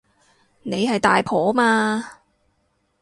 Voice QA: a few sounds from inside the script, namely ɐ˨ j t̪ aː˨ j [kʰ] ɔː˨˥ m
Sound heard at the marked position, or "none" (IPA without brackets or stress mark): pʰ